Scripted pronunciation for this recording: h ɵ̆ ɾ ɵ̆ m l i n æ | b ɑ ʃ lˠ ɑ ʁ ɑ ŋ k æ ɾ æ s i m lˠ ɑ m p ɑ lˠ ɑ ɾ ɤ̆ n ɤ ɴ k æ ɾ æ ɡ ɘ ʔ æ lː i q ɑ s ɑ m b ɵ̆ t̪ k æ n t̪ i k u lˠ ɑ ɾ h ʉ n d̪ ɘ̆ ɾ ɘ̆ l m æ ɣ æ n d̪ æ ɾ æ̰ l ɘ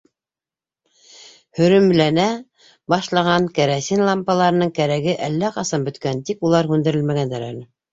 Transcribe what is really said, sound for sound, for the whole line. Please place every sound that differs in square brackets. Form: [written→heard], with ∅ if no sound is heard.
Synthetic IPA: h ɵ̆ ɾ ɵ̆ m l [i→æ] n æ | b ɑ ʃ lˠ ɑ ʁ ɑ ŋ k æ ɾ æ s i [m→n] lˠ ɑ m p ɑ lˠ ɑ ɾ ɤ̆ n ɤ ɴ k æ ɾ æ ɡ ɘ ʔ æ lː [i→æ] q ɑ s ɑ m b ɵ̆ t̪ k æ n t̪ i k u lˠ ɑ ɾ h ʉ n d̪ ɘ̆ ɾ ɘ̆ l m æ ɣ æ n d̪ æ ɾ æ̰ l ɘ